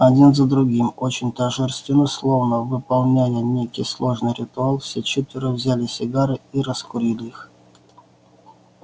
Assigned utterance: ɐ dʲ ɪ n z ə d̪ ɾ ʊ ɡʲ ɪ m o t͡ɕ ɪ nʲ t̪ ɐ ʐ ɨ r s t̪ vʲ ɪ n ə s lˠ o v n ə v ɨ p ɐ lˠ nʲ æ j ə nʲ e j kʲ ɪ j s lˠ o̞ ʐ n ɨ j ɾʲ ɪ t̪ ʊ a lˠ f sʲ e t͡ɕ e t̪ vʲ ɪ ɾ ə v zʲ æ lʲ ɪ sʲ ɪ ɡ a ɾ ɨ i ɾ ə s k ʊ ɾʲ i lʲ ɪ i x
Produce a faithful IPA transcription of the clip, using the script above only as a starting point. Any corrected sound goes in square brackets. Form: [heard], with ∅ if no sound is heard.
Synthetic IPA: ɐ dʲ [i] n z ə d̪ ɾ ʊ ɡʲ [i] m o t͡ɕ ɪ nʲ t̪ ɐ ʐ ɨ r s t̪ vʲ ɪ n ə s lˠ o v n ə v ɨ p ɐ lˠ nʲ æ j ə nʲ e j kʲ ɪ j s lˠ o̞ ʐ n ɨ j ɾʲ ɪ t̪ ʊ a lˠ f sʲ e t͡ɕ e t̪ vʲ ɪ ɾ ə v zʲ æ lʲ ɪ sʲ ɪ ɡ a ɾ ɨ i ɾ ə s k ʊ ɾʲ i lʲ ɪ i x